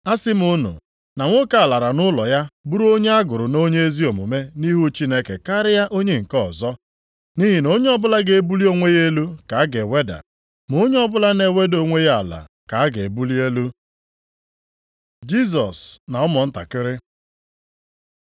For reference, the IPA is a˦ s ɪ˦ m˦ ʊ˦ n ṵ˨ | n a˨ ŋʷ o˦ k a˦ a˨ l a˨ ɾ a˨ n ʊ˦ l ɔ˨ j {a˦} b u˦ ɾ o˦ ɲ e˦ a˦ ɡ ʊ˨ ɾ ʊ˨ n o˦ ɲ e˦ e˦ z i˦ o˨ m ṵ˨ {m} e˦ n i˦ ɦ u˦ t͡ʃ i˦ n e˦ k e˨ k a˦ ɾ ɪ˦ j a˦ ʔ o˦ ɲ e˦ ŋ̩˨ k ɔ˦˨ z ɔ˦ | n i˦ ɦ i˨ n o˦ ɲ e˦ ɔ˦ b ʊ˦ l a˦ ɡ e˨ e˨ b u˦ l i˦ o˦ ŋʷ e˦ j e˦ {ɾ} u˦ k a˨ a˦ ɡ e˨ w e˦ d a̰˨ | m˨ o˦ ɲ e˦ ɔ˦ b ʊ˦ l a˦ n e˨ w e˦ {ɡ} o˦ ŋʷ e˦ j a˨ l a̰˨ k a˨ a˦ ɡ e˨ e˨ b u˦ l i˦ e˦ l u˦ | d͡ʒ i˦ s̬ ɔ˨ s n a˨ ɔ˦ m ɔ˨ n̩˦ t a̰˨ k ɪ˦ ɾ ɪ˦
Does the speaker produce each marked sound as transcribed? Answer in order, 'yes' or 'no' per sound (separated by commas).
yes, yes, no, no